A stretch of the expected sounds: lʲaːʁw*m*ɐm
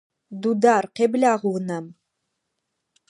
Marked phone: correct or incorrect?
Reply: incorrect